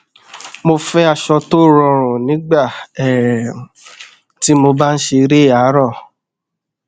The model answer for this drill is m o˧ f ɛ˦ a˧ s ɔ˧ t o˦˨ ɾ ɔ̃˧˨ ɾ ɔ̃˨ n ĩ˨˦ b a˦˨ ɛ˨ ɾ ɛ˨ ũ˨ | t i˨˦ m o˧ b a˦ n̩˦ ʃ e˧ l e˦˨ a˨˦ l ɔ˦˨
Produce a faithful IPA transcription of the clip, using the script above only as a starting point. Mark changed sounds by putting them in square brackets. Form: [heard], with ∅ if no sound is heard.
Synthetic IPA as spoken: m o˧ f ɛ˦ a˧ [ʃ] ɔ˧ t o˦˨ ɾ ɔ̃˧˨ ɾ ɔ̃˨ n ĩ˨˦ [ɡ͡b] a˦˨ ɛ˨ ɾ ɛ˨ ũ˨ | t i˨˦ m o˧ b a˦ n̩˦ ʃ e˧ [ɾ] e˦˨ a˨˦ [ɾ] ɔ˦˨